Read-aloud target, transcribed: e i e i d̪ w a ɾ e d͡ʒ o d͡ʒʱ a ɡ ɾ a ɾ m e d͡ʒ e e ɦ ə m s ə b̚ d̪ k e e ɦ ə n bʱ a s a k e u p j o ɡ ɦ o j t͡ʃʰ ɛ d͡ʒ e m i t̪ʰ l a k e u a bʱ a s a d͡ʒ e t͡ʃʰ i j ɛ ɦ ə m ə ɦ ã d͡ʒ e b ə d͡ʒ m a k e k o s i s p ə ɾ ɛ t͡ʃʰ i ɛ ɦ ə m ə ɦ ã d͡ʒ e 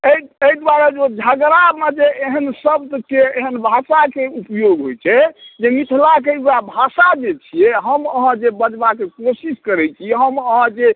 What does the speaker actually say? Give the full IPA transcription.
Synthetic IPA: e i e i d̪ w a ɾ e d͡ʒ o d͡ʒʱ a ɡ ɾ a ɾ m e d͡ʒ e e ɦ ə n s ə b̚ d̪ k e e ɦ ə n bʱ a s a k e u p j o ɡ ɦ o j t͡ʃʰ ɛ d͡ʒ e m i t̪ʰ l a k e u a bʱ a s a d͡ʒ e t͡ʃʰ i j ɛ ɦ ə m ə ɦ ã d͡ʒ e b ə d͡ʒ b a k e k o s i s k ə ɾ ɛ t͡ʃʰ i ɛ ɦ ə m ə ɦ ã d͡ʒ e